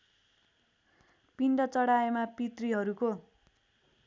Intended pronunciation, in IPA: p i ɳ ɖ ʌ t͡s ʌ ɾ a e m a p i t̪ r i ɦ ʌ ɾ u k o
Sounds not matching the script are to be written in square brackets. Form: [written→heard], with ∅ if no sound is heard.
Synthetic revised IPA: p i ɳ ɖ ʌ t͡s ʌ [ɾ→ɽ] a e m a p i t̪ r i ɦ ʌ ɾ u k o